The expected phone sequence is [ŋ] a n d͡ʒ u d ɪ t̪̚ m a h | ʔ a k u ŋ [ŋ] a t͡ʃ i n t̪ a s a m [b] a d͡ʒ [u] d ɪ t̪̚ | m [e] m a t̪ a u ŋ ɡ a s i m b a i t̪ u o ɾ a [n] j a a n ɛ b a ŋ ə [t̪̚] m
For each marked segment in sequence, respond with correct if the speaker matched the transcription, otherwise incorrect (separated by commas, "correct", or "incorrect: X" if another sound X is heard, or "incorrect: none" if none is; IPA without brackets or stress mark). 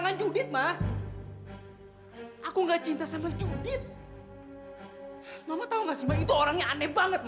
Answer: correct, incorrect: ɡ, correct, correct, incorrect: a, incorrect: ŋ, correct